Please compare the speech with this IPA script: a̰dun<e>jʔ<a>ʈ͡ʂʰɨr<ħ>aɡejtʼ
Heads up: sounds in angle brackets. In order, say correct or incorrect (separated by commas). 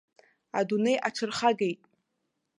correct, correct, incorrect